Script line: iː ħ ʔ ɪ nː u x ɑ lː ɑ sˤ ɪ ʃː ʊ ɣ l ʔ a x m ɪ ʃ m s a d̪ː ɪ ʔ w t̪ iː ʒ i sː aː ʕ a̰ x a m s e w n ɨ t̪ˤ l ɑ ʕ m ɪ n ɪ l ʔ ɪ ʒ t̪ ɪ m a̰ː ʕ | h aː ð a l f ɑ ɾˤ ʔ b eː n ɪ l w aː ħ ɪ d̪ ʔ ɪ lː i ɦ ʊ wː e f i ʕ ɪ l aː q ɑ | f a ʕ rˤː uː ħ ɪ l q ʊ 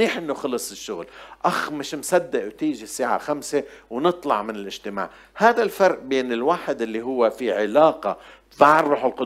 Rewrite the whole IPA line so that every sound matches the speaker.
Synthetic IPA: iː ħ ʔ ɪ nː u x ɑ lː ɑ sˤ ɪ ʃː ʊ ɣ l ʔ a x m ɪ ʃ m s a d̪ː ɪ ʔ w t̪ iː ʒ i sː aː ʕ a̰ x a m s e w n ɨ t̪ˤ l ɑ ʕ m ɪ n ɪ l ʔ ɪ ʒ t̪ ɪ m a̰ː ʕ | h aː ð a l f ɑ ɾˤ ʔ b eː n ɪ l w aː ħ ɪ d̪ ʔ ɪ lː i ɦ ʊ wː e f i ʕ ɪ l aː q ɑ | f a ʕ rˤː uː ħ ɪ l q ʊ